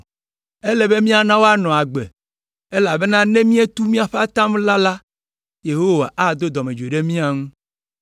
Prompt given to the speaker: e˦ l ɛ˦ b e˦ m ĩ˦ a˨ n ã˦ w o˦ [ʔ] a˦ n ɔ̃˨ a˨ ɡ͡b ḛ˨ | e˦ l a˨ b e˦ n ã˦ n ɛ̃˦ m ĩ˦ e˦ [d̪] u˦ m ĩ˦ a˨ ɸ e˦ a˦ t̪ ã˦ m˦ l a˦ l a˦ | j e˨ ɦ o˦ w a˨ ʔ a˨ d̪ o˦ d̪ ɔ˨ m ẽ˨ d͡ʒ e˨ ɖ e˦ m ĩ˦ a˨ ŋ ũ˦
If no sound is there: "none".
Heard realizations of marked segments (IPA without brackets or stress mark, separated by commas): none, t̪